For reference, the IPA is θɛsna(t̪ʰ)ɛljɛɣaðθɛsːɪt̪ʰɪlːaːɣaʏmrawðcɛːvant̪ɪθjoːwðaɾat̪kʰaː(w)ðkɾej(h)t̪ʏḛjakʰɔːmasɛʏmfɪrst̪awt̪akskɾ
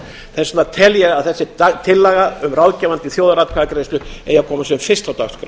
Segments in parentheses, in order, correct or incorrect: correct, incorrect, incorrect

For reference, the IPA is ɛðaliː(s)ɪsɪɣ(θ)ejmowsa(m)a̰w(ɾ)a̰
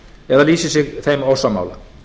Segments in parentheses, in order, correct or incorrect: correct, correct, correct, incorrect

